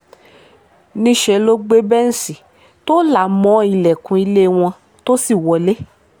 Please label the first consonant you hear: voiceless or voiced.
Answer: voiced